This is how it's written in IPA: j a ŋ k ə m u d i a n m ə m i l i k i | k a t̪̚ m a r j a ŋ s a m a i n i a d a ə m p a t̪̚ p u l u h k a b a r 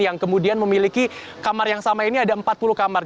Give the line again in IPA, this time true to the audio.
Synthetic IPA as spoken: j a ŋ k ə m u d i a n m ə m i l i k i | k a m a r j a ŋ s a m a i n i a d a ə m p a t̪̚ p u l u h k a m a r